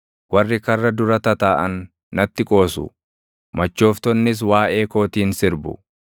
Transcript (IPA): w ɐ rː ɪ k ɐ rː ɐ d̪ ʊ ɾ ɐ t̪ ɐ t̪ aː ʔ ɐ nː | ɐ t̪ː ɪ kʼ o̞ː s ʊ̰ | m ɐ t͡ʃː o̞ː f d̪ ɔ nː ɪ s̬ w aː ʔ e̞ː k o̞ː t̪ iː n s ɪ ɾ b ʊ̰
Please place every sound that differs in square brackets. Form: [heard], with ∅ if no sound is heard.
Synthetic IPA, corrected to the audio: w ɐ rː ɪ k ɐ rː ɐ d̪ ʊ ɾ ɐ t̪ ɐ t̪ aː ʔ ɐ nː | ɐ t̪ː ɪ kʼ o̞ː s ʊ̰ | m ɐ t͡ʃː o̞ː f [t̪] ɔ nː ɪ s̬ w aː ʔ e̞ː k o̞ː t̪ iː n s ɪ ɾ b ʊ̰